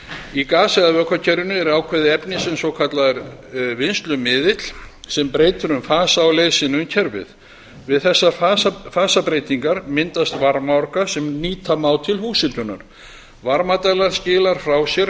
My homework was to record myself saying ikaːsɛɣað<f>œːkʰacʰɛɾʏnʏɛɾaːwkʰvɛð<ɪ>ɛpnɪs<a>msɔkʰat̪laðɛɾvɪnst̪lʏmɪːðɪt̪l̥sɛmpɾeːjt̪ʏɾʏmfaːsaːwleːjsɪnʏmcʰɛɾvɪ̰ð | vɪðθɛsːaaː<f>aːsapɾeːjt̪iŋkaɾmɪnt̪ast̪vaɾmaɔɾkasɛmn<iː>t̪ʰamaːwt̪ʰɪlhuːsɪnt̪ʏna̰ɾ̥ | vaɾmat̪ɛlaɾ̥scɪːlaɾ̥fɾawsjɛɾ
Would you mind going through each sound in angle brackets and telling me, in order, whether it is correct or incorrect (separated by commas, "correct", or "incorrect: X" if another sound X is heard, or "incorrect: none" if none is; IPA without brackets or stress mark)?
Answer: incorrect: v, correct, incorrect: ɛ, correct, correct